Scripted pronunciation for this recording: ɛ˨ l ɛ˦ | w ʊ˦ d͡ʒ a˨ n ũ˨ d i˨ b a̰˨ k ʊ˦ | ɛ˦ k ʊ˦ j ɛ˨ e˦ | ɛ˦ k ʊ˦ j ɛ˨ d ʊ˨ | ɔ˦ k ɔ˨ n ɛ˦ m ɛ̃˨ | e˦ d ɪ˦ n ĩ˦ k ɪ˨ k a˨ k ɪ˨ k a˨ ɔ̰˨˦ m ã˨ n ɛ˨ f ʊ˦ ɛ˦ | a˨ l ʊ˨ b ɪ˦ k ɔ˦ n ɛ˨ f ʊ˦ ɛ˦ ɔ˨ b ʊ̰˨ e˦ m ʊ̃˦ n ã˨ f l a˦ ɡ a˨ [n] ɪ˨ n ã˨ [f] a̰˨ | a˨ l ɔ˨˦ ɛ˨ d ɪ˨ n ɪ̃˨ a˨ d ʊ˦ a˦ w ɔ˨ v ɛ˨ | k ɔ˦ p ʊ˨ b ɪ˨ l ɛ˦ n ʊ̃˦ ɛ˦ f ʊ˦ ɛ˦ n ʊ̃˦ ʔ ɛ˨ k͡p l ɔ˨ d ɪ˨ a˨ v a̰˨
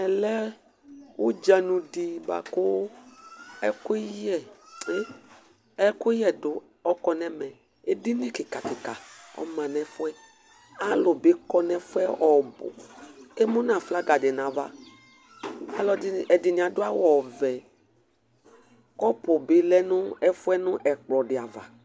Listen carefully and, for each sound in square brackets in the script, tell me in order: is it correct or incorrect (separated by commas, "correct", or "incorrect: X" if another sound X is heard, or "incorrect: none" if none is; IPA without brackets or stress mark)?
incorrect: d, incorrect: v